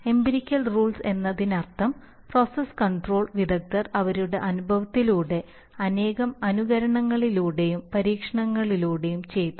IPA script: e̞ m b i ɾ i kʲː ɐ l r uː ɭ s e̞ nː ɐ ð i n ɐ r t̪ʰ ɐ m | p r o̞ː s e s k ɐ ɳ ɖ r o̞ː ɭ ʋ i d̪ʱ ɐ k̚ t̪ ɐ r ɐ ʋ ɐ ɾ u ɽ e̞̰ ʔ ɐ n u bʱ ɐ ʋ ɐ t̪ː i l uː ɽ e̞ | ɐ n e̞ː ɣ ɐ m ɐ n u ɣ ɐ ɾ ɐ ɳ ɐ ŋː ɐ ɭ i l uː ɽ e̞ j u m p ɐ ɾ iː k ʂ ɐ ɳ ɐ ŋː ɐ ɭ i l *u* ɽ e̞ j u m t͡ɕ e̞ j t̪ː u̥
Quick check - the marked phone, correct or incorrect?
incorrect